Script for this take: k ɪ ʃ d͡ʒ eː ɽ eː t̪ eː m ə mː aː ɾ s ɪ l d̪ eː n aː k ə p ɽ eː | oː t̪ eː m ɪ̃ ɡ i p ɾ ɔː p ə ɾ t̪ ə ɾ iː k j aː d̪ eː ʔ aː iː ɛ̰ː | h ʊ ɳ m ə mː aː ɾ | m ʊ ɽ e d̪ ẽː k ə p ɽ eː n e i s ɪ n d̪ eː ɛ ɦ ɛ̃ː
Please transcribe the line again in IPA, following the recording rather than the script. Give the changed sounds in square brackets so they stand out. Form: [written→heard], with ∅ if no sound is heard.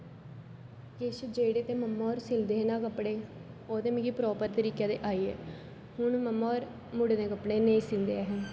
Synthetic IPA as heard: k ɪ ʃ d͡ʒ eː ɽ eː t̪ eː m ə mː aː ɾ s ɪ l d̪ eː n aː k ə p ɽ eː | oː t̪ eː m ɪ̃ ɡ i p ɾ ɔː p ə ɾ t̪ ə ɾ iː k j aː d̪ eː ʔ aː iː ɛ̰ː | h ʊ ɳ m ə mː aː ɾ | m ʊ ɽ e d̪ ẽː k ə p ɽ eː n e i s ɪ n d̪ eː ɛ ɦ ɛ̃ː